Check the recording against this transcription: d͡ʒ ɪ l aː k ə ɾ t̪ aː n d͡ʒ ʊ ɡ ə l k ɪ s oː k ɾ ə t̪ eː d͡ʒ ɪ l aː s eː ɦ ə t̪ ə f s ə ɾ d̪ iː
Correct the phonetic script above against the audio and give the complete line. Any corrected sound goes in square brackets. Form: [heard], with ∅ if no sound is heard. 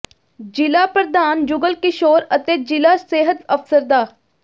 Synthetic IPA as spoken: d͡ʒ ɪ l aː [p] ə ɾ [d̪] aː n d͡ʒ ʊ ɡ ə l k ɪ [ʃ] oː [∅] ɾ ə t̪ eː d͡ʒ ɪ l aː s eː ɦ ə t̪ ə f s ə ɾ d̪ [aː]